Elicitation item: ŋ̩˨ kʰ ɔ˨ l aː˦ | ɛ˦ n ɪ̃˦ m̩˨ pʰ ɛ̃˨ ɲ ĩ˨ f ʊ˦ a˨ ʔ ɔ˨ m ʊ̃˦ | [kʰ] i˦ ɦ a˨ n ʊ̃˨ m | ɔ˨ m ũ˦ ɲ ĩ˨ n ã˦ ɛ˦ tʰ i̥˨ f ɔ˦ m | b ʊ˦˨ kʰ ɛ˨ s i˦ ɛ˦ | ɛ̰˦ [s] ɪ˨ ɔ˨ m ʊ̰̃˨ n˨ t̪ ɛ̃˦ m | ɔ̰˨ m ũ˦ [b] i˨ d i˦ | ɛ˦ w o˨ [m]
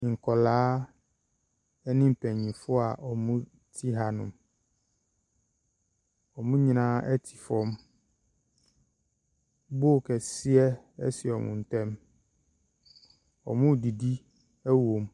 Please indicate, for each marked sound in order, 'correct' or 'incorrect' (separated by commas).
incorrect, correct, incorrect, correct